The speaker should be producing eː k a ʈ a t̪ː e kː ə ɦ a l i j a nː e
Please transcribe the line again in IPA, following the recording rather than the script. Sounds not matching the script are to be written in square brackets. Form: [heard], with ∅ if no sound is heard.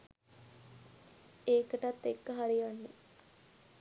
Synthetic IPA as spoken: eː k [ə] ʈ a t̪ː e kː ə ɦ a [ɾ] i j a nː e